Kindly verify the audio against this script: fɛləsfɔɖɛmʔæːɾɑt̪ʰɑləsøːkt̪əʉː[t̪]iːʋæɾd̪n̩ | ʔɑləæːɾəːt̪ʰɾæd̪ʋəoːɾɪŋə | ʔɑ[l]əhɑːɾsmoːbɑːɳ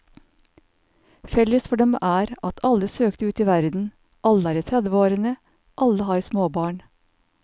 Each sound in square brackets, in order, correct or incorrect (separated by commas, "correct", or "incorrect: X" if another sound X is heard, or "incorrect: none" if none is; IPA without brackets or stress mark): correct, correct